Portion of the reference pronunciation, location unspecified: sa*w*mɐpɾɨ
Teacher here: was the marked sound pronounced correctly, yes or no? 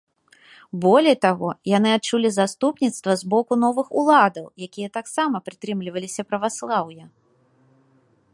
no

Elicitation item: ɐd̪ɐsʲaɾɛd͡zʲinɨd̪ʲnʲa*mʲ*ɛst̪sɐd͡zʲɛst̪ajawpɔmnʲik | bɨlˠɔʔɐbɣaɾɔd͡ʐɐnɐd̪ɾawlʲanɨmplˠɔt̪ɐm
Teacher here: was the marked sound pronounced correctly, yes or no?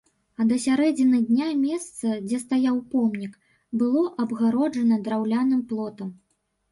yes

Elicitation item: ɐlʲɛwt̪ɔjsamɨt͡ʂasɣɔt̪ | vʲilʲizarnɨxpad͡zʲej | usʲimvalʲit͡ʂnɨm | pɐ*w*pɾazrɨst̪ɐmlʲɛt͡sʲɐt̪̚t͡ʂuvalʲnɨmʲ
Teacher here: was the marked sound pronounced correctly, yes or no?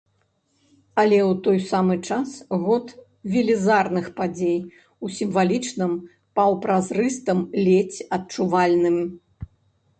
yes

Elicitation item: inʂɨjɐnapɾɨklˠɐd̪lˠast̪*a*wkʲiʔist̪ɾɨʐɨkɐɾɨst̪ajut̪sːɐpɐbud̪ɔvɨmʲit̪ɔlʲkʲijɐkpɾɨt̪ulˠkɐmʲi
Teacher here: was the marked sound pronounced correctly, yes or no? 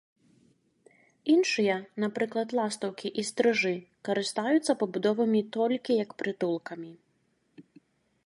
no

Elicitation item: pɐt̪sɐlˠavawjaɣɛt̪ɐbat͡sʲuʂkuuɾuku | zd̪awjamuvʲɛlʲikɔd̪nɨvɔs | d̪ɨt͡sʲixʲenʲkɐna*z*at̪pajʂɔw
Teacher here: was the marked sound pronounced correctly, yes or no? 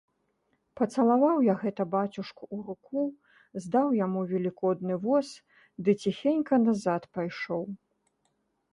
yes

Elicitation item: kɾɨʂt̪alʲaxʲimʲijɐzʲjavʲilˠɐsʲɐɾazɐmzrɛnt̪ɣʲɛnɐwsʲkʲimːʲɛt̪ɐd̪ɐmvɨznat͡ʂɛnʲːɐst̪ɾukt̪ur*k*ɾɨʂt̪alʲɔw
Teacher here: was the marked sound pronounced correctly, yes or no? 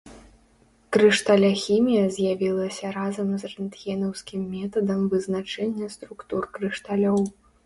yes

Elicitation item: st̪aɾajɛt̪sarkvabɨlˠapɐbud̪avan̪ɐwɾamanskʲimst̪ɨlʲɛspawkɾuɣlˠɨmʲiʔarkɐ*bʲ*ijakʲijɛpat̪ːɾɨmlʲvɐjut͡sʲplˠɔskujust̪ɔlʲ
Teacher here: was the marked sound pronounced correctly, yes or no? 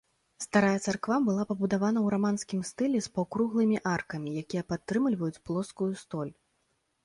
no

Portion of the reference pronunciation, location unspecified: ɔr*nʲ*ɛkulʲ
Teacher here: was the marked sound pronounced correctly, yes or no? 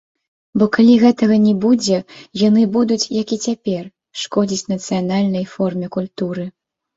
no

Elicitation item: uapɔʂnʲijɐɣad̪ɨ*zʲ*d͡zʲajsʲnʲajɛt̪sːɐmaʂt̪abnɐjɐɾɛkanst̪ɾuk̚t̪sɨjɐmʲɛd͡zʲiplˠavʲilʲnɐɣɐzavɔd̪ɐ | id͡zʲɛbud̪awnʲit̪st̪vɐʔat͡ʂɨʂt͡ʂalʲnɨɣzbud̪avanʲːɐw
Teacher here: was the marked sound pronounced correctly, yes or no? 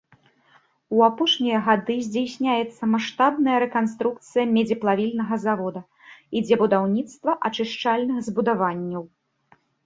yes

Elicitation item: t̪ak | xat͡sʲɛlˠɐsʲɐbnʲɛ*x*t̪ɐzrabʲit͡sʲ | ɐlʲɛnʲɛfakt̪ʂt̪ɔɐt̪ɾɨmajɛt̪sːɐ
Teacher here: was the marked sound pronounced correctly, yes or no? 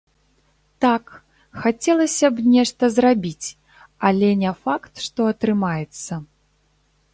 no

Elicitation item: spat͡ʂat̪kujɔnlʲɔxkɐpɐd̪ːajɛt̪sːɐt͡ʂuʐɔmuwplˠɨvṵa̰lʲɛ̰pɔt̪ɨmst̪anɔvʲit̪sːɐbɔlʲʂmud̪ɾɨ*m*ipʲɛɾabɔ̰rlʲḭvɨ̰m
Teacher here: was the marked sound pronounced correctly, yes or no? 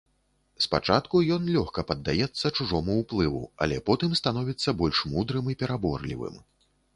yes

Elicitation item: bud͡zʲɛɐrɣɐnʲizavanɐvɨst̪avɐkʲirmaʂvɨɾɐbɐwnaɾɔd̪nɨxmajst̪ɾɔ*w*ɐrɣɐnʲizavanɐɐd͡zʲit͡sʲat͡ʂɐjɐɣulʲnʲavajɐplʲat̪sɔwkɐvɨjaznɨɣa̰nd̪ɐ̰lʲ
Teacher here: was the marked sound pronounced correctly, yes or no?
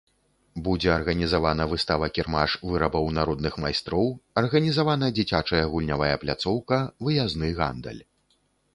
yes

